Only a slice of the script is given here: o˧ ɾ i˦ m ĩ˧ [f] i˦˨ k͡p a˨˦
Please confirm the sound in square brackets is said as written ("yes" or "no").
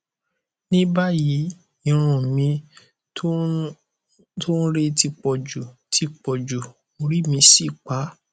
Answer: no